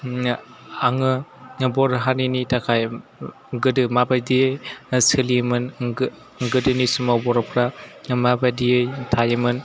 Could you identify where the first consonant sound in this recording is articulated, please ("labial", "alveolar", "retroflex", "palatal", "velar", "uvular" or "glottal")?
velar